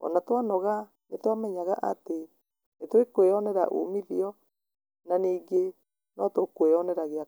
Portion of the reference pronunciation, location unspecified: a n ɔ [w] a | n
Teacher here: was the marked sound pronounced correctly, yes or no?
no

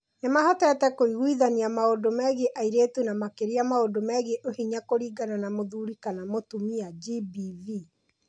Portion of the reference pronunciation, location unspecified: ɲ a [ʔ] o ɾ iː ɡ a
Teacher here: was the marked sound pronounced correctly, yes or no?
no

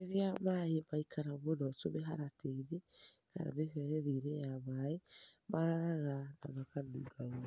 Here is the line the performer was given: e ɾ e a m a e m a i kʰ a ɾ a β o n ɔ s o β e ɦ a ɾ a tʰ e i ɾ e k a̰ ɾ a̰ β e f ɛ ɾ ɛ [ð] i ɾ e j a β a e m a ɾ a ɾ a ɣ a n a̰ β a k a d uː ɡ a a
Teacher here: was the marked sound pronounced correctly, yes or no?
yes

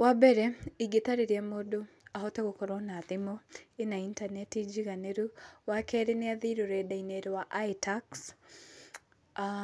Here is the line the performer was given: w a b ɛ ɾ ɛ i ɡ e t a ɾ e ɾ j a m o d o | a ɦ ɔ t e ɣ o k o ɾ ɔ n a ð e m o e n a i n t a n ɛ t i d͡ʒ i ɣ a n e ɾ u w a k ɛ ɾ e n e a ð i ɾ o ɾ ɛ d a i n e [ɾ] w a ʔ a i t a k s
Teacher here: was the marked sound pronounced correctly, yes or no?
yes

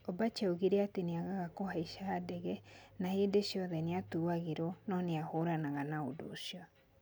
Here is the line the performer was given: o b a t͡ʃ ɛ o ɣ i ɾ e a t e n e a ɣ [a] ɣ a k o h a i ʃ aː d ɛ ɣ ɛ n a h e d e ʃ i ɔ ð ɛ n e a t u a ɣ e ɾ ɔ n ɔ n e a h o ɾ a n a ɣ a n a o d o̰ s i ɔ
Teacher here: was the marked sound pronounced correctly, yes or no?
yes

